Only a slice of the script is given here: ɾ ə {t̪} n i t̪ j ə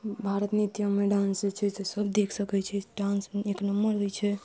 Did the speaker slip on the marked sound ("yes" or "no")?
no